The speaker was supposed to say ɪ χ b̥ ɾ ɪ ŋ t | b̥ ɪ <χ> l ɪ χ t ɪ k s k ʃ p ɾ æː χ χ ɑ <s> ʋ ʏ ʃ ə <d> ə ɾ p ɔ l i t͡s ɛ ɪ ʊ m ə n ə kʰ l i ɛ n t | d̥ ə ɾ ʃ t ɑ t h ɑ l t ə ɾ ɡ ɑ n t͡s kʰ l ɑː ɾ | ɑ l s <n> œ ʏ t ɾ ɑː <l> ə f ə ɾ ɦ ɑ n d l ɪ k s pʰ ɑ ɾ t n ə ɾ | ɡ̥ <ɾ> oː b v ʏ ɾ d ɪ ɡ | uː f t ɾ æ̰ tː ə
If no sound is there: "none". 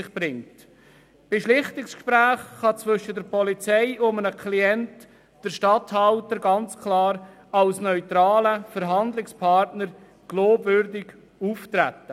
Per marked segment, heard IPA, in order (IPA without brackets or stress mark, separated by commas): ʃ, t͡s, d, n, l, l